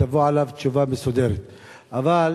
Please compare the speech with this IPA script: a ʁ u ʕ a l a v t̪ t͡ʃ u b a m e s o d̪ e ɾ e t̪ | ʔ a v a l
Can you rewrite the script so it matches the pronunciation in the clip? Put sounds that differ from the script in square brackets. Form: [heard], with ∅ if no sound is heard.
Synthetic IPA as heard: a [v] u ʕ a l a v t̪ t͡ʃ u [v] a m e s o d̪ e ɾ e t̪ | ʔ a v a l